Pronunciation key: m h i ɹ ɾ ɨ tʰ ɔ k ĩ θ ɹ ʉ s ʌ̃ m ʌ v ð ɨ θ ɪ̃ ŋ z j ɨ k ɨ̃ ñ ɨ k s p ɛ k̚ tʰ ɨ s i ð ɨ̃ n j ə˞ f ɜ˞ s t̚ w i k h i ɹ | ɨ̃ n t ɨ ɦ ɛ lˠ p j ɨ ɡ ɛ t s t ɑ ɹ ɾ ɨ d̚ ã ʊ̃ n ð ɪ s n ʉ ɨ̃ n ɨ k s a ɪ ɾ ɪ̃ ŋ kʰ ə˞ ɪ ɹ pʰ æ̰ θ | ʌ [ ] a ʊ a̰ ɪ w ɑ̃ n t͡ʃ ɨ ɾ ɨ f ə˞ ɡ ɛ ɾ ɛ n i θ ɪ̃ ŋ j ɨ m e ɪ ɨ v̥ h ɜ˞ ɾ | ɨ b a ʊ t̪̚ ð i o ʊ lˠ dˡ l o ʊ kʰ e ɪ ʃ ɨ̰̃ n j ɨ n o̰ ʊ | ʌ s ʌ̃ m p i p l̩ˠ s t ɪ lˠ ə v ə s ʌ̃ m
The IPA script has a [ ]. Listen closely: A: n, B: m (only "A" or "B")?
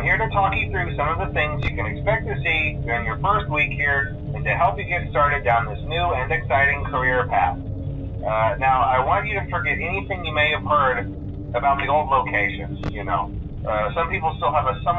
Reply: A